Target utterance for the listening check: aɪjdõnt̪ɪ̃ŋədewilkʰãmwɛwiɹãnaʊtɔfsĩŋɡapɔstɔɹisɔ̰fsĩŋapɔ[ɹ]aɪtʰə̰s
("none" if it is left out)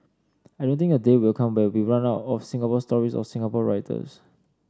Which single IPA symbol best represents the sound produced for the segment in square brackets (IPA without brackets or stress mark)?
ɹ